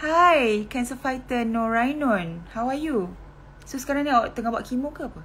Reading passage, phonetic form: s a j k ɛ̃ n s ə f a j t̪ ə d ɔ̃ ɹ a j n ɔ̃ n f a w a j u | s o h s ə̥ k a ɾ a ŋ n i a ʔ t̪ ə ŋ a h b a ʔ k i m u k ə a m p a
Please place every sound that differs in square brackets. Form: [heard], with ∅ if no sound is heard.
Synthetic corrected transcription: [h] a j k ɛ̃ n s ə f a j t̪ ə [n] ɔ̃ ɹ a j n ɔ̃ n [h] a w a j u | s o [∅] s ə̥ k a ɾ a ŋ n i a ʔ t̪ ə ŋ a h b a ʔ k i m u k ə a [∅] p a